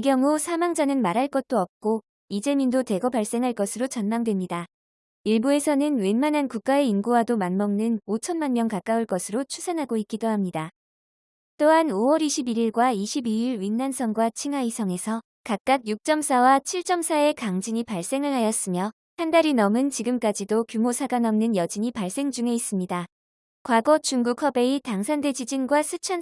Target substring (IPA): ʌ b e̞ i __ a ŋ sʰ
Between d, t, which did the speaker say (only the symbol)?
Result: t